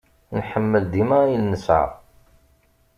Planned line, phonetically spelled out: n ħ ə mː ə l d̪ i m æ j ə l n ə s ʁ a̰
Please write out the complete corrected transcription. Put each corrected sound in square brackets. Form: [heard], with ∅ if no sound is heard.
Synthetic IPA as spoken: n ħ ə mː ə l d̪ i m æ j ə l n ə s [ʕ] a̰